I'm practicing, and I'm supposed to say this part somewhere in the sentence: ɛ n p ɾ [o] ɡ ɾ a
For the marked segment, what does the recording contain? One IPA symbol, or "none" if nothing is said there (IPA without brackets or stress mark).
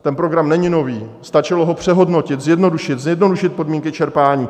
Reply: o